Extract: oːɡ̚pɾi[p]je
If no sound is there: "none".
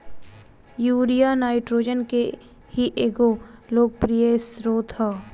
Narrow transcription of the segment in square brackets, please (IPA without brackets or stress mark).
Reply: none